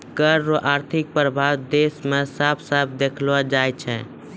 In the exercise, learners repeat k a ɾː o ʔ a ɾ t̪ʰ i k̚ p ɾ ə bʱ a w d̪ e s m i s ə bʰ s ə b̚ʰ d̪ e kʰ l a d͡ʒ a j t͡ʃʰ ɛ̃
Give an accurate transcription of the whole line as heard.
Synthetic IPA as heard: k ə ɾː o ʔ a ɾ t̪ʰ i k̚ p ɾ ə bʱ a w d̪ e s m e s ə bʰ s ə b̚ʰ d̪ e kʰ l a d͡ʒ a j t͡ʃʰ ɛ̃